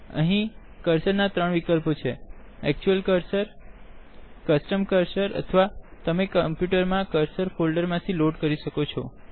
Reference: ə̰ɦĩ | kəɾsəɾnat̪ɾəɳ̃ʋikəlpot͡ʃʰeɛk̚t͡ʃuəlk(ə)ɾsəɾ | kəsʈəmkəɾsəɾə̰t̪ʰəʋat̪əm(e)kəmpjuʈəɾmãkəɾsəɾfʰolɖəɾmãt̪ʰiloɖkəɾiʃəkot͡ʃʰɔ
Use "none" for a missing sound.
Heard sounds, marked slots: ə, e

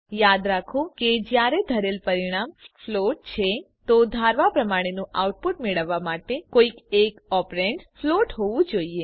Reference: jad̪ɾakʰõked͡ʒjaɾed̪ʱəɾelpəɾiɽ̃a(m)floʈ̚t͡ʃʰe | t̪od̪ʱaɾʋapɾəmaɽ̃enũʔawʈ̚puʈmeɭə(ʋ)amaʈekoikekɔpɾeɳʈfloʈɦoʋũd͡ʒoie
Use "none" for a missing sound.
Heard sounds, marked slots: m, ʋː

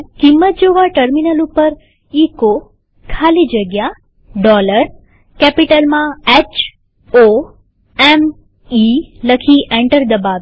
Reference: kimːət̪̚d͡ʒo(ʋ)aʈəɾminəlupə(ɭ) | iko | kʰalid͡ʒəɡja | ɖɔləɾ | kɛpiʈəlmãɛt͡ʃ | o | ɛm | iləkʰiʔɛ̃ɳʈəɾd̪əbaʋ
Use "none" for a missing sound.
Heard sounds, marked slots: ʋ, ɾ

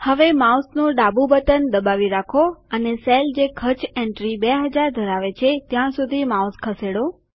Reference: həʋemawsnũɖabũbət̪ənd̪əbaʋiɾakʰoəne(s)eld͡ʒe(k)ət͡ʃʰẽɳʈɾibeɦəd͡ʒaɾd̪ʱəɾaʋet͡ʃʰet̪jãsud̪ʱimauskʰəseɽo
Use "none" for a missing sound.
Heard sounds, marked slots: s, kʰ

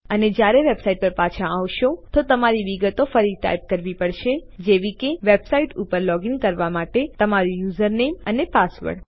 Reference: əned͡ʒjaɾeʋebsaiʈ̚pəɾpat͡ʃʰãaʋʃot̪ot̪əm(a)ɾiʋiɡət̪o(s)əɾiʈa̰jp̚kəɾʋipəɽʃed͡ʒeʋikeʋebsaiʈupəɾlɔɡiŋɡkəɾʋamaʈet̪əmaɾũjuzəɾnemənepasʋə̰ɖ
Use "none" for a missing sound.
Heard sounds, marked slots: a, f

